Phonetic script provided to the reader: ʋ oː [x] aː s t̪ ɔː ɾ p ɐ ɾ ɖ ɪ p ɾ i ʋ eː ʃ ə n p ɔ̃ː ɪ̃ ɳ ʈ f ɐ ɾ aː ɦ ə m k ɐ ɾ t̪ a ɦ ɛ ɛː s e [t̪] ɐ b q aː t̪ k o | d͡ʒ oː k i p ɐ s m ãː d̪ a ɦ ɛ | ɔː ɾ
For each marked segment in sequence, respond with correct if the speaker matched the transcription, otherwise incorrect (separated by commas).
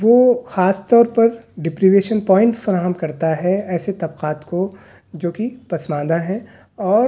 correct, correct